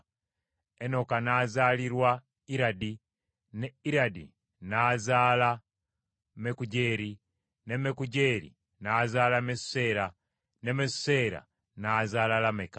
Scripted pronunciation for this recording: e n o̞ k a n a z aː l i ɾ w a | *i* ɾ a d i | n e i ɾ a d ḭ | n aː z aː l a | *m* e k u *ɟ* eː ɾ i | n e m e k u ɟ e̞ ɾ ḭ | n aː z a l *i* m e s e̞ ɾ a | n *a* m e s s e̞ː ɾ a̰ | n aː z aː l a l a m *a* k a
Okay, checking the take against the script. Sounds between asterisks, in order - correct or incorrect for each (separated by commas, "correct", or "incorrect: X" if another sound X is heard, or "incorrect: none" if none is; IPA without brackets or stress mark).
correct, correct, correct, incorrect: a, incorrect: e, incorrect: e